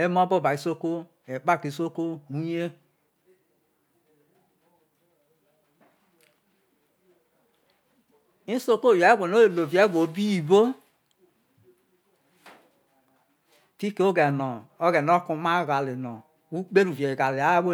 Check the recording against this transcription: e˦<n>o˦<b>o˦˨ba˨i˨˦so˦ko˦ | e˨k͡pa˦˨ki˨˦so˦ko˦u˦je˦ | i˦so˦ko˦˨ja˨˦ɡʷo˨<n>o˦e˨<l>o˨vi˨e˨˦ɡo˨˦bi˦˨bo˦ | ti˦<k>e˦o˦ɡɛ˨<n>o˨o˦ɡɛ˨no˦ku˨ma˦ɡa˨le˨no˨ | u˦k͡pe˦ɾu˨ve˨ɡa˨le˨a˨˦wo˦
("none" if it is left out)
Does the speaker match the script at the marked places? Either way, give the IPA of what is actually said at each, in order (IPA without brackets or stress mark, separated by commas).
m, b, n, l, k, n